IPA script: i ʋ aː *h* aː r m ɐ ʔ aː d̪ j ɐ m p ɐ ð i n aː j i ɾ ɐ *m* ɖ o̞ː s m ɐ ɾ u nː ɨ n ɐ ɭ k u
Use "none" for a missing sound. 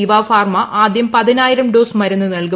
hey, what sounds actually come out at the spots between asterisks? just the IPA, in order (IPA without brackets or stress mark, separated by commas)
f, m